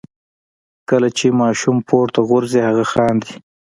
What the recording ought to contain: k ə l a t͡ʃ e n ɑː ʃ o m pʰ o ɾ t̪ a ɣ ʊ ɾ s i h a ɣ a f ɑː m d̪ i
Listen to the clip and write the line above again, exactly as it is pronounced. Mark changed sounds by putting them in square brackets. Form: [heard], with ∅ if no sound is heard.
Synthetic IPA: k ə l a t͡ʃ e [m] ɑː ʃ [u] m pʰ o ɾ t̪ a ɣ ʊ ɾ [z] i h a ɣ a [x] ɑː [n] d̪ i